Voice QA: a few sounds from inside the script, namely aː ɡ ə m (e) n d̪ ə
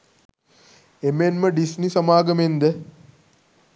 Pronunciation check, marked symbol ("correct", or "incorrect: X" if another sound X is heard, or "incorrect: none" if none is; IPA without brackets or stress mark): correct